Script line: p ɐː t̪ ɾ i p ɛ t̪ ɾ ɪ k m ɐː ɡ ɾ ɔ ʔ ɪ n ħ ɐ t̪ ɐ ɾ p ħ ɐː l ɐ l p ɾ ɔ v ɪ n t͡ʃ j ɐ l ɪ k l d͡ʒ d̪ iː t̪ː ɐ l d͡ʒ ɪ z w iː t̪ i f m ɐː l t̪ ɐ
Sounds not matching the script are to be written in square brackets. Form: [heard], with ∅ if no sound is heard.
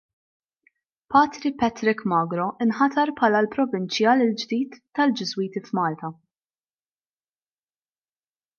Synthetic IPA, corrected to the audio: p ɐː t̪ ɾ i p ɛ t̪ ɾ ɪ k m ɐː ɡ ɾ ɔ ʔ ɪ n ħ ɐ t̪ ɐ ɾ p ħ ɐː l ɐ l p ɾ ɔ v ɪ n t͡ʃ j ɐ l ɪ [∅] l d͡ʒ d̪ iː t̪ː ɐ l d͡ʒ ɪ z w iː t̪ i f m ɐː l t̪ ɐ